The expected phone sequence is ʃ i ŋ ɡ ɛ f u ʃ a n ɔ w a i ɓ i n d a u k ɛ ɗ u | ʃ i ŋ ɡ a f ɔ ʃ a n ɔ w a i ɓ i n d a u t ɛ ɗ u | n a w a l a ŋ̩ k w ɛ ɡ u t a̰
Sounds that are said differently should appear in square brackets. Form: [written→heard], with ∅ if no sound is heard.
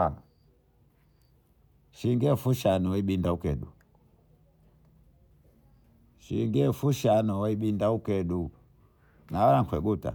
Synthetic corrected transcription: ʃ i ŋ ɡ ɛ f u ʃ a n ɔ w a i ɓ i n d a u k ɛ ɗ u | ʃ i ŋ ɡ [a→ɛ] f [ɔ→u] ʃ a n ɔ w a i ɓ i n d a u [t→k] ɛ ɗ u | n a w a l a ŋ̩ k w ɛ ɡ u t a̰